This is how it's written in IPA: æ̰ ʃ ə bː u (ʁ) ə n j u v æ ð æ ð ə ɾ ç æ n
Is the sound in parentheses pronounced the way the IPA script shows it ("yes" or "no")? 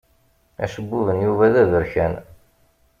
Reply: no